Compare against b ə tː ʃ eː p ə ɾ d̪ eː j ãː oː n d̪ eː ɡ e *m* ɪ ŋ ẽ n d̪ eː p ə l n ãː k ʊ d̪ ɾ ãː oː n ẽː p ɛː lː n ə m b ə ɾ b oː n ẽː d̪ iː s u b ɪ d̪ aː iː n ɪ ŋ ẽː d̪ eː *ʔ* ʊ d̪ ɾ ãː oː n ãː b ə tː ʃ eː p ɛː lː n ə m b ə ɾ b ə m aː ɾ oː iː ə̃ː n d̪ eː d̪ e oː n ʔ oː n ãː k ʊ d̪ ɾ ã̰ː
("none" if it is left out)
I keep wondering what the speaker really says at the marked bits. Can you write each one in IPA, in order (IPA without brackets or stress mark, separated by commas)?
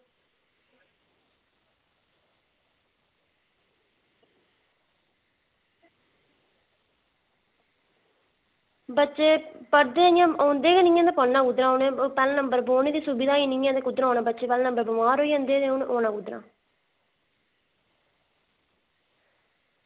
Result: n, k